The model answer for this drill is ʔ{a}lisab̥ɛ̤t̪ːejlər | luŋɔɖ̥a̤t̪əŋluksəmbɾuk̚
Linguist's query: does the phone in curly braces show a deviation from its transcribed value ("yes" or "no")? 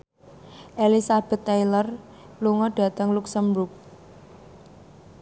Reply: yes